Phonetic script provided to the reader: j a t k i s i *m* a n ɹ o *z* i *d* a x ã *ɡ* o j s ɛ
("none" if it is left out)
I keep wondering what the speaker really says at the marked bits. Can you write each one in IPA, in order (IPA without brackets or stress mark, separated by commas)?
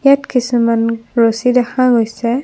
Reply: m, s, d, ɡ